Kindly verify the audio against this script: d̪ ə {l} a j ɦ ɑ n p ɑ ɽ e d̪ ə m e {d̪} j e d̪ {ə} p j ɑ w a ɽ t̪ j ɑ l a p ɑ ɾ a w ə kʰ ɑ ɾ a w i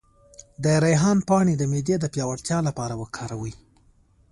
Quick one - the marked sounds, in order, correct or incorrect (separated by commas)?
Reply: incorrect, correct, correct